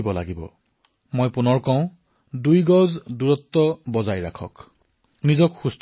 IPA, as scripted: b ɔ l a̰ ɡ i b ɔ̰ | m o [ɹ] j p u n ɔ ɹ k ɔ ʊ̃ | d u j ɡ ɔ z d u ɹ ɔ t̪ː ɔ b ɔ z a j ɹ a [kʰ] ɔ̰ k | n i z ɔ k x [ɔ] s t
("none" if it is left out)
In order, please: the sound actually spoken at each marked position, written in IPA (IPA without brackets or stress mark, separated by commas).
none, kʰ, u